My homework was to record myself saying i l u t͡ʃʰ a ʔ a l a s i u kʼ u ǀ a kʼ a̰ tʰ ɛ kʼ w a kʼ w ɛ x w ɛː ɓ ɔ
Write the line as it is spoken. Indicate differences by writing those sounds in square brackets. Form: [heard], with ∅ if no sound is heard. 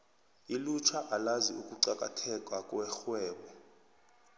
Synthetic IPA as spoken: i l u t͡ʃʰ a ʔ a l a [z] i u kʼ u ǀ a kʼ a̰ tʰ ɛ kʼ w a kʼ w ɛ x w ɛː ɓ ɔ